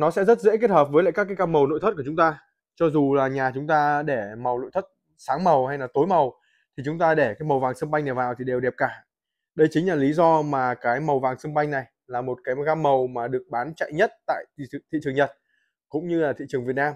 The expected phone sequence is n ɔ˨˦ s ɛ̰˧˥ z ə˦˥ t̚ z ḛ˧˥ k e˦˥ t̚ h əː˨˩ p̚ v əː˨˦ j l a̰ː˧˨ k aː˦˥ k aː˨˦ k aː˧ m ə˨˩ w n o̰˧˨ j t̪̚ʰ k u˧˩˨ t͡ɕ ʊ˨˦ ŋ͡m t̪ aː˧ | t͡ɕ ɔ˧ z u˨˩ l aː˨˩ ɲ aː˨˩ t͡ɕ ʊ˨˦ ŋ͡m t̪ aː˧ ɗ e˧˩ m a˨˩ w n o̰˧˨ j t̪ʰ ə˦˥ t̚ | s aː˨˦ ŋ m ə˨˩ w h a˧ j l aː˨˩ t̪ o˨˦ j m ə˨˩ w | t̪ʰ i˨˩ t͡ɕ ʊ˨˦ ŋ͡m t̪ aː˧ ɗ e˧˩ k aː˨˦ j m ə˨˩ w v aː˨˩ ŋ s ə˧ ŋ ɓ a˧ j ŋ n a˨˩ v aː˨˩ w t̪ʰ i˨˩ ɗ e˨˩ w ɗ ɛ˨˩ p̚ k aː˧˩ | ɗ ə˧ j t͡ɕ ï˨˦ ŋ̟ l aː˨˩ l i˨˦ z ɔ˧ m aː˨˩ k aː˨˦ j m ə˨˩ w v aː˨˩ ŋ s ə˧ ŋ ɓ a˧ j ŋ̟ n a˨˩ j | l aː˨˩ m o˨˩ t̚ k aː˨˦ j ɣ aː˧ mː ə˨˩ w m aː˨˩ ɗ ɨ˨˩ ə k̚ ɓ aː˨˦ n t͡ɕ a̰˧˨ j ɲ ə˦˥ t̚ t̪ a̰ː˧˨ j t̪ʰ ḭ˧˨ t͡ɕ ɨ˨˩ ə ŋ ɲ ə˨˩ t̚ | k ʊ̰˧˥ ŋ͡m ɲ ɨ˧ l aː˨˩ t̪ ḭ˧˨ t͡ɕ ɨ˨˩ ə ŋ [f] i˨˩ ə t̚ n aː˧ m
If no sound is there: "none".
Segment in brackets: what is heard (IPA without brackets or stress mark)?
v